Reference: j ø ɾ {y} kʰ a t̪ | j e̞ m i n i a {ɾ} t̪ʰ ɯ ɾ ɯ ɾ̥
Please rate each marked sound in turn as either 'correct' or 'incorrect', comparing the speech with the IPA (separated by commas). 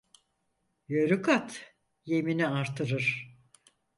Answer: correct, correct